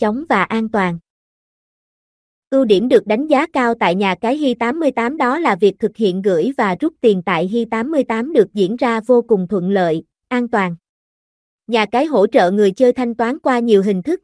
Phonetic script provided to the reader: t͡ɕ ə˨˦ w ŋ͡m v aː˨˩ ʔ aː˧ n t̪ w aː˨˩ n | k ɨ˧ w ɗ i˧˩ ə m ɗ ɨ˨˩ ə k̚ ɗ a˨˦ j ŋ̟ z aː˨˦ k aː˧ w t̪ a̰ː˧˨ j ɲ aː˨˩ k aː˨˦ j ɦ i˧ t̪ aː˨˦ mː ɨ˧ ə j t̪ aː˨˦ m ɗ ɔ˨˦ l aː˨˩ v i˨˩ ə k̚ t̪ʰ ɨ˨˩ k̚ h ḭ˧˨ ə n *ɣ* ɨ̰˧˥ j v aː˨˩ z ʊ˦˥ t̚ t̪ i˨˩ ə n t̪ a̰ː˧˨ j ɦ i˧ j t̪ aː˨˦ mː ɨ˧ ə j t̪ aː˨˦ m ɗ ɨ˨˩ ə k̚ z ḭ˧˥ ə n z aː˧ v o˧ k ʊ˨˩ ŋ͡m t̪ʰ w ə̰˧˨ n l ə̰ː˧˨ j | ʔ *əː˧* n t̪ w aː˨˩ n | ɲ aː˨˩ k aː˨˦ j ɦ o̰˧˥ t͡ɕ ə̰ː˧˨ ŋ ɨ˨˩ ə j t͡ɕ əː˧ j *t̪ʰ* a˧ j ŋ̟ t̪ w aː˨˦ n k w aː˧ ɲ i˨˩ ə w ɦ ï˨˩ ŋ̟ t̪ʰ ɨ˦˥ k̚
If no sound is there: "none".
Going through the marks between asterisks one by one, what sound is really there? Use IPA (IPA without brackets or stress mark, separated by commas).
ɣ, aː˧, t̪ʰ